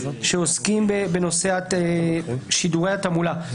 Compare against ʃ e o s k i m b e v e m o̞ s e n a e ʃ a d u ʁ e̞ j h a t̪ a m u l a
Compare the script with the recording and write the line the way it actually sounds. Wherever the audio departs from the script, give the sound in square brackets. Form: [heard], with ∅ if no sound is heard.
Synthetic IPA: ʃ e o s k i m b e [b] e [n] o̞ s e [∅] a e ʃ [i] d u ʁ e̞ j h a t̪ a m u l a